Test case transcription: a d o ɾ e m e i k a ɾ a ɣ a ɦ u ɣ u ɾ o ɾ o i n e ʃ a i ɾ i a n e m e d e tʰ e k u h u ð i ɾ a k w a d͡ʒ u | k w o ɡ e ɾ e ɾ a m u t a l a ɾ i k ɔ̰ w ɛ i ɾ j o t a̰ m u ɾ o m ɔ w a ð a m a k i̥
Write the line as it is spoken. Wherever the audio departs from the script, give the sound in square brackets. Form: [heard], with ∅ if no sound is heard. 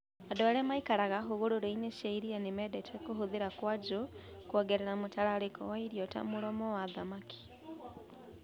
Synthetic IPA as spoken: a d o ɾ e m [a] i k a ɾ a ɣ a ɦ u ɣ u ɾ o ɾ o i n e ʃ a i ɾ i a n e m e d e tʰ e k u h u ð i ɾ a k w a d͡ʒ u | k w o ɡ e ɾ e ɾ a m u t a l a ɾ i k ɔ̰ w [a] i ɾ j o t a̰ m u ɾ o m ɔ w a ð a m a k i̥